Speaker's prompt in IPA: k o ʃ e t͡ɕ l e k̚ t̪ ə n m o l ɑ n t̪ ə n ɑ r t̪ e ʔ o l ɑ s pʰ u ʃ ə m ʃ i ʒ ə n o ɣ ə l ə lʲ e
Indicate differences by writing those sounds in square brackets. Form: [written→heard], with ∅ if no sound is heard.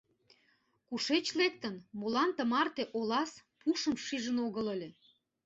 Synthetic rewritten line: k [o→u] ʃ e t͡ɕ l e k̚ t̪ ə n m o l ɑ n t̪ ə [n→m] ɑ r t̪ e ʔ o l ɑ s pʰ u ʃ ə m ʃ i ʒ ə n o ɣ ə l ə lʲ e

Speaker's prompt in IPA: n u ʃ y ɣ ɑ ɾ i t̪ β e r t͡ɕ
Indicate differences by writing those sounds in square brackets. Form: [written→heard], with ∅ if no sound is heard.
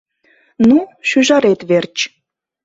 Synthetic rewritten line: n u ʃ y [ɣ→ʒ] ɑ ɾ [i→e] t̪ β e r t͡ɕ

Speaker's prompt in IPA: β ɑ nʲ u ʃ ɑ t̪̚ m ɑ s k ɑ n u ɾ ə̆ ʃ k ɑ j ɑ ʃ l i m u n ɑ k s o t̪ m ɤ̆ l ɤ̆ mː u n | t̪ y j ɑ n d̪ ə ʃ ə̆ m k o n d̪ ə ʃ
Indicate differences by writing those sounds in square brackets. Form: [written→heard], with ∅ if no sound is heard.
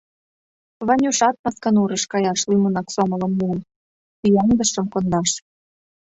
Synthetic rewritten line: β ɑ nʲ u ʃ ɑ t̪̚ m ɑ s k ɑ n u ɾ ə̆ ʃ k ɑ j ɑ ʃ l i m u n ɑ k s o [t̪→∅] m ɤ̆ l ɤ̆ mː u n | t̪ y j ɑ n d̪ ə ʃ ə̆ m k o n d̪ [ə→ɑ] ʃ

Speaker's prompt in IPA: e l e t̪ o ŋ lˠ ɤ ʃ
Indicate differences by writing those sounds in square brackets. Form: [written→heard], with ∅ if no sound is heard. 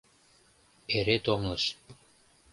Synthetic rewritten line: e [l→ɾ] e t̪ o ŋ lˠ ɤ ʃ

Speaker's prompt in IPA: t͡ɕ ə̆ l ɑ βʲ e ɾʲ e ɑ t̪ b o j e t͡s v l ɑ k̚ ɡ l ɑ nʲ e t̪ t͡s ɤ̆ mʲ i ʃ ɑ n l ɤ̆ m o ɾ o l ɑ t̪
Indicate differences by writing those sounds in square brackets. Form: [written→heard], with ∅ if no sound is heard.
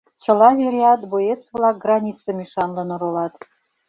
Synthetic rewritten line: t͡ɕ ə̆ l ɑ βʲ e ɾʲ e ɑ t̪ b o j e t͡s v l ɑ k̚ ɡ [l→r] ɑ nʲ [e→i] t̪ t͡s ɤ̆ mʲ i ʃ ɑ n l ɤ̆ [m→n] o ɾ o l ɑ t̪

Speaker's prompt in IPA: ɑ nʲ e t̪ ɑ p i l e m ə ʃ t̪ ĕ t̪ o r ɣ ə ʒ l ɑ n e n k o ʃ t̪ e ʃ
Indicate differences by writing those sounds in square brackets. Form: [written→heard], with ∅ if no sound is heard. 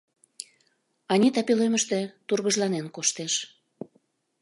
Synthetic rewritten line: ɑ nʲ [e→i] t̪ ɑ p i l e m ə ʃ t̪ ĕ t̪ [o→u] r ɣ ə ʒ l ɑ n e n k o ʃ t̪ e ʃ

